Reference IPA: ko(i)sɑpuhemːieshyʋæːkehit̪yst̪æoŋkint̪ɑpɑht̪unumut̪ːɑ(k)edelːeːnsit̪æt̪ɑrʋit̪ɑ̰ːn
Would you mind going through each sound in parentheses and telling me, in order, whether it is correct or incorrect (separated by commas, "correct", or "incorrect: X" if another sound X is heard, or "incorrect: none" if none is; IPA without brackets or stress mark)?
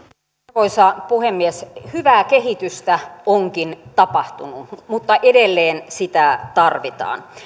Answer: correct, incorrect: ʔ